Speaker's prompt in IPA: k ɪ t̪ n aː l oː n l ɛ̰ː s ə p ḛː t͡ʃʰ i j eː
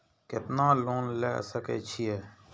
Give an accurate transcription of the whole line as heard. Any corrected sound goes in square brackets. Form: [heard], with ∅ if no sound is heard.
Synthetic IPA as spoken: k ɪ t̪ n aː l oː n l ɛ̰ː s ə [k] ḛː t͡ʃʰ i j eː

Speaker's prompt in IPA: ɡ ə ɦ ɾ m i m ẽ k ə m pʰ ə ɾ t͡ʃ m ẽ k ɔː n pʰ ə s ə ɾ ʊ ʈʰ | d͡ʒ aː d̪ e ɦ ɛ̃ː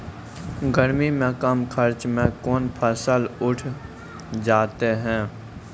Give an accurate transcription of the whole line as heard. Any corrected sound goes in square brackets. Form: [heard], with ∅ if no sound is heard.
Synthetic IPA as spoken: ɡ ə [∅] ɾ m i m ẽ k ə m [kʰ] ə ɾ t͡ʃ m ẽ k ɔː n pʰ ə s ə [l] ʊ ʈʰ | d͡ʒ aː [t̪] e ɦ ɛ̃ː

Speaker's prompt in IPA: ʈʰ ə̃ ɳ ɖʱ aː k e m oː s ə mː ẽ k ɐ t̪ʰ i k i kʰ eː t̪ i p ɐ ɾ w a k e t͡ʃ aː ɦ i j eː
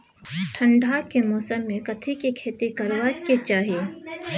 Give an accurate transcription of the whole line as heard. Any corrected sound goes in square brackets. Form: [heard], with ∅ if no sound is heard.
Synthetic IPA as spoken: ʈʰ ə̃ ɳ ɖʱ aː k e m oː s ə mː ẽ k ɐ t̪ʰ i k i kʰ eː t̪ i [k] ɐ ɾ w a k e t͡ʃ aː ɦ i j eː

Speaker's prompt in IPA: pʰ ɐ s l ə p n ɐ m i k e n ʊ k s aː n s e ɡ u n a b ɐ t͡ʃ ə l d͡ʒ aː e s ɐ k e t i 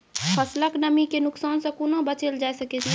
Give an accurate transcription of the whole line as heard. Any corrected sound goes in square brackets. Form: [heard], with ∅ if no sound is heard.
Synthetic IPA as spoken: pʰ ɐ s l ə [k] n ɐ m i k e n ʊ k s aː n s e [k] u n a b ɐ t͡ʃ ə l d͡ʒ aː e s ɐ k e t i

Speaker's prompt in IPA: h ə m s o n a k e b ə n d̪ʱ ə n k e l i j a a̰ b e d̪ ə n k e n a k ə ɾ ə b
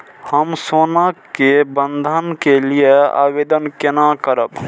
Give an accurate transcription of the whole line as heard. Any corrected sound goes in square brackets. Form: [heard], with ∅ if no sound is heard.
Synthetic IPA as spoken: h ə m s o n a k e b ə n d̪ʱ ə n k e l i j [e] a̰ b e d̪ ə n k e n a k ə ɾ ə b

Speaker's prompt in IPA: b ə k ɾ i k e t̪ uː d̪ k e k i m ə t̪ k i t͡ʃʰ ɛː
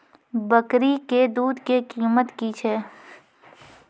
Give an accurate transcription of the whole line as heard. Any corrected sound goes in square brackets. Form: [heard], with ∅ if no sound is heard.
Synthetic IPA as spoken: b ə k ɾ i k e [d̪] uː d̪ k e k [iː] m ə t̪ k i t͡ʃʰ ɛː

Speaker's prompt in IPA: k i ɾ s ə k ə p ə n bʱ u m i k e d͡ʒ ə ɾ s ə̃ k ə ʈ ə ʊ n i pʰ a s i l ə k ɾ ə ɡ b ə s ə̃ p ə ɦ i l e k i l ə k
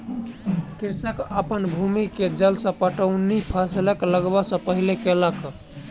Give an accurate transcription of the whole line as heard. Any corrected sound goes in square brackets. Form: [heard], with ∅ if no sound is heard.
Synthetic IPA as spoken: k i ɾ s ə k ə p ə n bʱ u m i k e d͡ʒ ə [l] s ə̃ [p] ə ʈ ə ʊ n i pʰ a s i l ə k [l] ə ɡ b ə s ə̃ p ə ɦ i l e k [e] l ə k

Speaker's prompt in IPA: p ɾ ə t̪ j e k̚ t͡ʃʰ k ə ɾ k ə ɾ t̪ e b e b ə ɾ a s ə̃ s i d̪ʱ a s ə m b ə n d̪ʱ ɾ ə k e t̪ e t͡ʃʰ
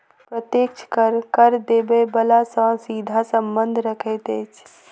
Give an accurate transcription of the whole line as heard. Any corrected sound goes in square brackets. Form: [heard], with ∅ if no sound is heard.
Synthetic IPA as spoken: p ɾ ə t̪ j e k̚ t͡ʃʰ k ə ɾ k ə ɾ [d̪] e b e b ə [l] a s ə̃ s i d̪ʱ a s ə m b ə n d̪ʱ ɾ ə [kʰ] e t̪ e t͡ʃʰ

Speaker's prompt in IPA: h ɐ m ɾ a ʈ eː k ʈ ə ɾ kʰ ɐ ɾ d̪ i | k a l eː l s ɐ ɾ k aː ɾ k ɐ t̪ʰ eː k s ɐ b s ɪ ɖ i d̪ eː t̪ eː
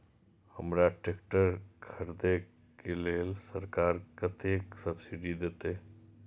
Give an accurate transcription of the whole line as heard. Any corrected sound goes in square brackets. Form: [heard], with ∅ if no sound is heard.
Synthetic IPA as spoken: h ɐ m ɾ a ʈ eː k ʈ ə ɾ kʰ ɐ ɾ d̪ [e] | k [e] l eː l s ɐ ɾ k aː ɾ k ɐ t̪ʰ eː k s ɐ b s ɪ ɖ i d̪ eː t̪ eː

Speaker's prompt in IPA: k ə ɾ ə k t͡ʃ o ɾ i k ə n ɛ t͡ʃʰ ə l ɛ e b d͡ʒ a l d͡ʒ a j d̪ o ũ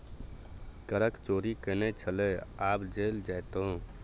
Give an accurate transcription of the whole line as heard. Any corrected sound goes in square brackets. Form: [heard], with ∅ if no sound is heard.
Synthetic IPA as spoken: k ə ɾ ə k t͡ʃ o ɾ i k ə n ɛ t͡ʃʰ ə l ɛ [a] b d͡ʒ [e] l d͡ʒ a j [t̪] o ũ

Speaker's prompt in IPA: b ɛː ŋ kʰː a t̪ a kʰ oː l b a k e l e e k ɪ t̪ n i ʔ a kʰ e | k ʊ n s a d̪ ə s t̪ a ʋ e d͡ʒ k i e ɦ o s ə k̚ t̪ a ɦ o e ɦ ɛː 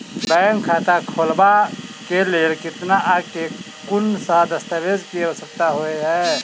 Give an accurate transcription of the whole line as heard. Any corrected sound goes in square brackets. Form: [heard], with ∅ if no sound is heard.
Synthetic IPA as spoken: b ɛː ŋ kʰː a t̪ a kʰ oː l b a k e l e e k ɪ t̪ n [a] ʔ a [k] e | k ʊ n s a d̪ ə s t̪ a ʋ e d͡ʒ k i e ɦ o s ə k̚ t̪ a ɦ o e ɦ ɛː

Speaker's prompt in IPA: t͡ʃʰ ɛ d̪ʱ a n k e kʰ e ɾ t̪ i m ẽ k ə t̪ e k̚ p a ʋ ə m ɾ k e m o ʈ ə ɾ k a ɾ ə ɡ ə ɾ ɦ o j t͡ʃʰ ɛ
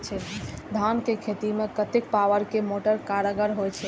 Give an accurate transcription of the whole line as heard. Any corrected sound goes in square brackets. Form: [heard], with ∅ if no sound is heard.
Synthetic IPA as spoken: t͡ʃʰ ɛ d̪ʱ a n k e kʰ e [∅] t̪ i m [e] k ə t̪ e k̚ p a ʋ ə [∅] ɾ k e m o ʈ ə ɾ k a ɾ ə ɡ ə ɾ ɦ o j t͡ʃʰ ɛ

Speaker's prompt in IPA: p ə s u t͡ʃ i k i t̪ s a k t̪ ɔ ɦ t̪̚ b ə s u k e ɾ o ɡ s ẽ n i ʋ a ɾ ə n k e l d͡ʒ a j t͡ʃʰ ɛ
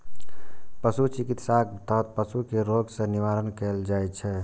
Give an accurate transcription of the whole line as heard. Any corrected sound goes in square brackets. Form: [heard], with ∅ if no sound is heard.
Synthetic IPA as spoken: p ə s u t͡ʃ i k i t̪ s a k t̪ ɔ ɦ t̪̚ [p] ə s u k e ɾ o ɡ s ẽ n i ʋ a ɾ ə n k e l d͡ʒ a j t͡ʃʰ ɛ

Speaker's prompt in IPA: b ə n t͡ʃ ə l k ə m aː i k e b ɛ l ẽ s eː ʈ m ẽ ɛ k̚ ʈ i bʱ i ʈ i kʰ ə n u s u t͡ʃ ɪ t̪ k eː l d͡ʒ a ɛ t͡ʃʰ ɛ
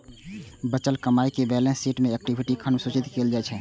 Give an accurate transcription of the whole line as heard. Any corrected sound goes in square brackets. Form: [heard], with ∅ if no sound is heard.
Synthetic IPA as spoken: b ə [∅] t͡ʃ ə l k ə m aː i k e b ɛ l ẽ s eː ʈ m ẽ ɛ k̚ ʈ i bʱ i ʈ i kʰ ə n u s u t͡ʃ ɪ t̪ k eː l d͡ʒ a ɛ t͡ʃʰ ɛ

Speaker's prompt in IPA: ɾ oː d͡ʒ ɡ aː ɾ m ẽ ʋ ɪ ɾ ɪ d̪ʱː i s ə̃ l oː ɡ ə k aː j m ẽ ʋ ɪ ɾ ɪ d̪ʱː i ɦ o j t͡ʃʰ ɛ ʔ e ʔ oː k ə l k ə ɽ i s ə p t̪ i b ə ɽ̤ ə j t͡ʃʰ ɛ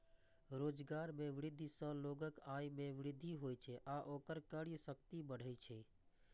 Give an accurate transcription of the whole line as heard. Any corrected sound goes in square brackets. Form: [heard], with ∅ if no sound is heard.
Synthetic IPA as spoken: ɾ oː d͡ʒ ɡ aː ɾ m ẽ ʋ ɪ ɾ ɪ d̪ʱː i s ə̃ l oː ɡ ə k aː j m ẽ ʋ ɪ ɾ ɪ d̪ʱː i ɦ o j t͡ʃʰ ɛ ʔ [a] ʔ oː k ə [ɾ] k ə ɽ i s ə [k] t̪ i b ə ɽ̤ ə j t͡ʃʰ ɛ

